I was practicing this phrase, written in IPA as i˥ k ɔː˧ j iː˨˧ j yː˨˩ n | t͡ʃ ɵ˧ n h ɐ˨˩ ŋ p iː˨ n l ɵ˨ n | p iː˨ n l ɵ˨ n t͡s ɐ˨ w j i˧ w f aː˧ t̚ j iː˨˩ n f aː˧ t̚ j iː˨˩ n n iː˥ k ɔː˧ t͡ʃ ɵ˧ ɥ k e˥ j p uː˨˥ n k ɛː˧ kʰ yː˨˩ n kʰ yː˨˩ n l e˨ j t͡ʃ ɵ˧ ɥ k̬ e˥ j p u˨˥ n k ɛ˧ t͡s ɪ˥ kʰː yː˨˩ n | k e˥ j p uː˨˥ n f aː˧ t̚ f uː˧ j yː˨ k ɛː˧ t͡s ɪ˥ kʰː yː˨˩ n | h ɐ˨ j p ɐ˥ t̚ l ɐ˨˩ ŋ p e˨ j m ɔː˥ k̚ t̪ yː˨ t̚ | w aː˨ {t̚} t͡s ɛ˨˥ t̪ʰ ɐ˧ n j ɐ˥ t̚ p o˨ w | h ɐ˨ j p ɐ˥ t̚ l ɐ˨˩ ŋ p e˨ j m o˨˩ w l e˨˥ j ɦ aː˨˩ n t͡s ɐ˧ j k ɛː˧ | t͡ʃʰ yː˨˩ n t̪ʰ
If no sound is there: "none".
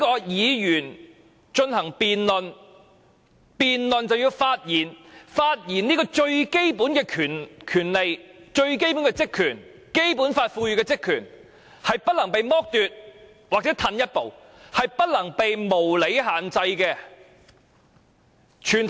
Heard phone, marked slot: k̚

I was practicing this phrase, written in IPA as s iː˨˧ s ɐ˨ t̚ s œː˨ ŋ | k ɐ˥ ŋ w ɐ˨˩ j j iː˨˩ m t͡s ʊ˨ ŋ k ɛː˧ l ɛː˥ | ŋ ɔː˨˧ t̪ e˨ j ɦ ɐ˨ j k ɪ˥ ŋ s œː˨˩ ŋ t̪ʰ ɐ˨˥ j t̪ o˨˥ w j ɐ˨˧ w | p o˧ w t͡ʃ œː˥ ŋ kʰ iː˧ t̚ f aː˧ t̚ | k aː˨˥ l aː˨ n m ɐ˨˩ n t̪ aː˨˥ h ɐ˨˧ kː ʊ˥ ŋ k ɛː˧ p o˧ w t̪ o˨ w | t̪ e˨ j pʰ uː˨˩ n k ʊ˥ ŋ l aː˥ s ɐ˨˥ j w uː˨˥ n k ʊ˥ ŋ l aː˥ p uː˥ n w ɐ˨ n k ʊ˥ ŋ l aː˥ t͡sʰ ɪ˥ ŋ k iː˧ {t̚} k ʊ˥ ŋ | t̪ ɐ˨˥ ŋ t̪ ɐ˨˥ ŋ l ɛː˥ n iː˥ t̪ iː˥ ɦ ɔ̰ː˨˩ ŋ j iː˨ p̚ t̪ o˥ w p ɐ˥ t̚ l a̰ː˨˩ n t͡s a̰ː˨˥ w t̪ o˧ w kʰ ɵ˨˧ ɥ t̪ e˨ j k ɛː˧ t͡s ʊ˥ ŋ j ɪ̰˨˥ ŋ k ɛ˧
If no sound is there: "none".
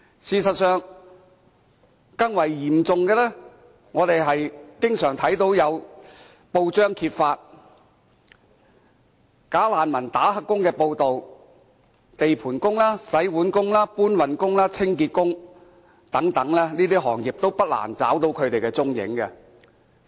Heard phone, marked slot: t̚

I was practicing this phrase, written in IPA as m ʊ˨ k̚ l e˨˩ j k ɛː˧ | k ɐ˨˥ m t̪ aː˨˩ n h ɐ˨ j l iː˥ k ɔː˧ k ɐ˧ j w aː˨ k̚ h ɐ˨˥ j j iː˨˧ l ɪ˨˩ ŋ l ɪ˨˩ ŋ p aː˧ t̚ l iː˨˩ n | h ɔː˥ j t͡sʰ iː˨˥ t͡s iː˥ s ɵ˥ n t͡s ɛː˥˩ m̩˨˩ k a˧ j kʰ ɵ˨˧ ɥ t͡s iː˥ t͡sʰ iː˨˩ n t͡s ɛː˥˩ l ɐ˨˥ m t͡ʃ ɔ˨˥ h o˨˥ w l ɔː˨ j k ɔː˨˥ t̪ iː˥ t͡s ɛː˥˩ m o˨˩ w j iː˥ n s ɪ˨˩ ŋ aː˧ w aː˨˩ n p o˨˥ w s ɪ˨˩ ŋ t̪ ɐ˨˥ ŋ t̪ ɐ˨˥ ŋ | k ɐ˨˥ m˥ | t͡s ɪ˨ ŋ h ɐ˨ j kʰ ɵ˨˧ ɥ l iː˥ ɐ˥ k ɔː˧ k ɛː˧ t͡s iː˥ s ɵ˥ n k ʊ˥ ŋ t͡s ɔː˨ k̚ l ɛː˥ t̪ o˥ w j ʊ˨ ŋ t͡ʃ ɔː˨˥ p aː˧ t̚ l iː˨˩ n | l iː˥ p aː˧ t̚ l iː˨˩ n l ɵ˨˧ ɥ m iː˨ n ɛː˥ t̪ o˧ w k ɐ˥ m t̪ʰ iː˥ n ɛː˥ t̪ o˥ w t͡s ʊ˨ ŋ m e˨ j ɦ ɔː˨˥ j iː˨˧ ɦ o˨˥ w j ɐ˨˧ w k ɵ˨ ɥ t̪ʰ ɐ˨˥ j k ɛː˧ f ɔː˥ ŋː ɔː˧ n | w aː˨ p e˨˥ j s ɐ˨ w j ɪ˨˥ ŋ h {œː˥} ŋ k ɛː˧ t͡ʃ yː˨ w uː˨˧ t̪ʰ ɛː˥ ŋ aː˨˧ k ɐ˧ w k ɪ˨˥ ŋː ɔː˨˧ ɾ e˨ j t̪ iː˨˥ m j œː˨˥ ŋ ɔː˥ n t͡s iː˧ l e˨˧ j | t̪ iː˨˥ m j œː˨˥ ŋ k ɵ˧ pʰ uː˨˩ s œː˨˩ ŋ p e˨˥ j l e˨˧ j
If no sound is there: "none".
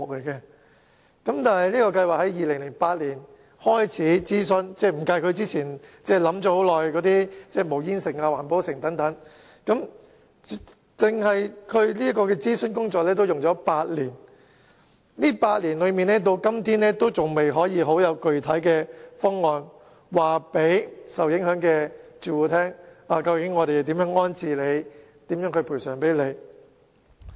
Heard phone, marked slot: œː˨˥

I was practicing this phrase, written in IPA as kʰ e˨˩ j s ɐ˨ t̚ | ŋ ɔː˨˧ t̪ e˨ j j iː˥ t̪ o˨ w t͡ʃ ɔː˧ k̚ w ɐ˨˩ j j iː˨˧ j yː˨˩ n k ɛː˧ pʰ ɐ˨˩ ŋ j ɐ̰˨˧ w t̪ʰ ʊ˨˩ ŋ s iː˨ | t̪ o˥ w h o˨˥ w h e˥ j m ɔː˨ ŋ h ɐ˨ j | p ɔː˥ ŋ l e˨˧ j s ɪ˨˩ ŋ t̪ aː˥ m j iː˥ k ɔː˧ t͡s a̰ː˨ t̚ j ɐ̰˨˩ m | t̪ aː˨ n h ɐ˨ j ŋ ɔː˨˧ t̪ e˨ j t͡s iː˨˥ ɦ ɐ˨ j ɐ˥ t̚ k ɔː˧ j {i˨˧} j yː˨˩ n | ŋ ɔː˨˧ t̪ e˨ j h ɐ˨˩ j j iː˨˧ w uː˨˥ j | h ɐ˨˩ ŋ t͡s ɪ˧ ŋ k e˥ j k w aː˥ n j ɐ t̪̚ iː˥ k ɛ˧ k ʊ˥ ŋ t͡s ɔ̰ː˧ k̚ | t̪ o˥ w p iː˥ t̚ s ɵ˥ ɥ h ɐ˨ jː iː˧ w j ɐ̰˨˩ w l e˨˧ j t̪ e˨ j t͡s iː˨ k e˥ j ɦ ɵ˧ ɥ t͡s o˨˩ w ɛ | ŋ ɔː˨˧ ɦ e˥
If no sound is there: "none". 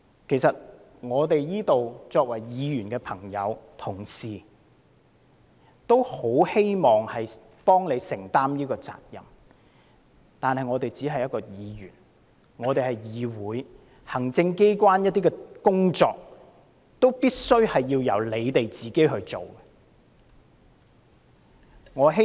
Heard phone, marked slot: iː˨˧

